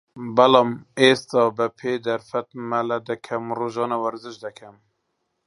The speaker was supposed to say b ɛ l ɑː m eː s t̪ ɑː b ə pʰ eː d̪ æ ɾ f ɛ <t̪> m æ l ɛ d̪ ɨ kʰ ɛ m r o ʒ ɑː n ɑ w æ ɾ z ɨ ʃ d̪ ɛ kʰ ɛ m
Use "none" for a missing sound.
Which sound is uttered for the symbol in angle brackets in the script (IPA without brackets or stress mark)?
t̪